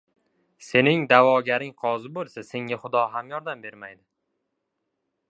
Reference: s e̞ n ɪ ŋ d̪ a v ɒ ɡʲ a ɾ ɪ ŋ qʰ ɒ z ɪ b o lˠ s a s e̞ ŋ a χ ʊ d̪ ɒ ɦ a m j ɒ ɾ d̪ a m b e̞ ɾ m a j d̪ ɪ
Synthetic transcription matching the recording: s e̞ n ɪ ŋ d̪ a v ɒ ɡʲ a ɾ ɪ ŋ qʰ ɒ z ɪ b o lˠ s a s e̞ ŋ a χ ʊ d̪ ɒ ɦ a m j ɒ ɾ d̪ a m b e̞ ɾ m a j d̪ ɪ

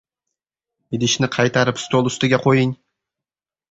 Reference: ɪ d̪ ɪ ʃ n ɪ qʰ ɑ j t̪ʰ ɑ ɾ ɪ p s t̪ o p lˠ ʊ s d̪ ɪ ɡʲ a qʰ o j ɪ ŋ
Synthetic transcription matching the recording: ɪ d̪ ɪ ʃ n ɪ qʰ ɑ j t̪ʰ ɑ ɾ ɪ p s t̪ o lˠ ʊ s t̪ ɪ ɡʲ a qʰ o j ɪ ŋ

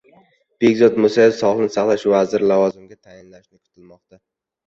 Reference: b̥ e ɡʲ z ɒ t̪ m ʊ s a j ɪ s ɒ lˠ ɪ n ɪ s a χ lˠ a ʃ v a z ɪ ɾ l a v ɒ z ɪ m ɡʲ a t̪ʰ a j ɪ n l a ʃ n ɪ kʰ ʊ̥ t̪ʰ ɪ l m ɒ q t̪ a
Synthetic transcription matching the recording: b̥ e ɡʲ z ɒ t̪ m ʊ s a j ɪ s ɒ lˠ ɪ n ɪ s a χ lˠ a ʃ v a z ɪ ɾ l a v ɒ z ɪ m ɡʲ a t̪ʰ a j ɪ n l a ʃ n ɪ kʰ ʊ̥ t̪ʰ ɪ l m ɒ q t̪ a

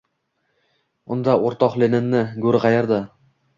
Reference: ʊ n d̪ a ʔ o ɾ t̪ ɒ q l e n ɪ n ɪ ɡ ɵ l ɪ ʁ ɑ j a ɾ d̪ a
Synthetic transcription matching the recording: ʊ n d̪ a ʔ o ɾ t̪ ɒ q l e n ɪ nː ɪ ɡ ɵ ɾ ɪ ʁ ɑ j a ɾ d̪ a

